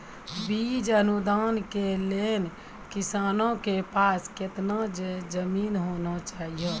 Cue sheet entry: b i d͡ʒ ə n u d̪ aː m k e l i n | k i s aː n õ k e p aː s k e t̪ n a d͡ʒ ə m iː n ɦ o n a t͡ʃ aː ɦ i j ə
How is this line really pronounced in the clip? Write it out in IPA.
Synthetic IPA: b i d͡ʒ ə n u d̪ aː n k e l e n | k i s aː n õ k e p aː s k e t̪ n a d͡ʒ ə m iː n ɦ o n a t͡ʃ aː ɦ i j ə